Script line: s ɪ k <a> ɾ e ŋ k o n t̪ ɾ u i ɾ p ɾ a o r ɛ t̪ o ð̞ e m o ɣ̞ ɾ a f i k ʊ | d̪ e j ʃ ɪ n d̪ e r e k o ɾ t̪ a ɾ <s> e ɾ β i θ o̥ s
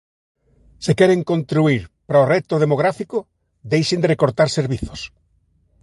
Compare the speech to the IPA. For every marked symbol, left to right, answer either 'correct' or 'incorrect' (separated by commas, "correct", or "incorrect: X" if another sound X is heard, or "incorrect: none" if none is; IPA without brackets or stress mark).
incorrect: ɛ, correct